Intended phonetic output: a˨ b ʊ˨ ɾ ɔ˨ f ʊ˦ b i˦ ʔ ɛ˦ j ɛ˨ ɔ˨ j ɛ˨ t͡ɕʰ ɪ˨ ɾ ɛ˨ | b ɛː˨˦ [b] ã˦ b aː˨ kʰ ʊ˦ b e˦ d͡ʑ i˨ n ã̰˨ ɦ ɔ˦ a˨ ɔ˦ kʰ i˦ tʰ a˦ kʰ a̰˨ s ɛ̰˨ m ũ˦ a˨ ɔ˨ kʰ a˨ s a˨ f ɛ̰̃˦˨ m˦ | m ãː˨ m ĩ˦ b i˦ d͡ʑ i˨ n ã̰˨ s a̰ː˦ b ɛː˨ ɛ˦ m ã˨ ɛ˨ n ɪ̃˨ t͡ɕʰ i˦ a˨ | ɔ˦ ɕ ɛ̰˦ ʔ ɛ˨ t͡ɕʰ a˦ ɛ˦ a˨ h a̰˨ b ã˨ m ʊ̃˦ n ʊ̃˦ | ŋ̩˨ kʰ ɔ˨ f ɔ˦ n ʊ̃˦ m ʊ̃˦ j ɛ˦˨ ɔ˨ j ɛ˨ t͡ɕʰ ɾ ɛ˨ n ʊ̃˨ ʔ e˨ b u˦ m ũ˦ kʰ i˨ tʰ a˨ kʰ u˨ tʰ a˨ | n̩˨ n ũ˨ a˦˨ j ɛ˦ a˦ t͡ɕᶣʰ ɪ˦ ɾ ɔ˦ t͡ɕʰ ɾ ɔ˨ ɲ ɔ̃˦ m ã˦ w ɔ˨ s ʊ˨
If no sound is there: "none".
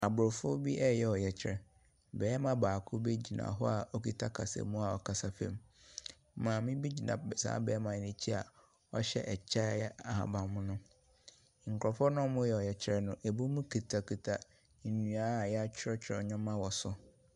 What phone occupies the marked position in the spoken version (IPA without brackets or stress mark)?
m